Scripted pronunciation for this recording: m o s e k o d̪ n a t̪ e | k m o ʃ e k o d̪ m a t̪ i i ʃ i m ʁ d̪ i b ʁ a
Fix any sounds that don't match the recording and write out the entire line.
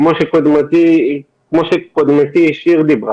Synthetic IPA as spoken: m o ʃ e k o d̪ m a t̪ i | k m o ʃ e k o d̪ m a t̪ i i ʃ i ʁ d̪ i b ʁ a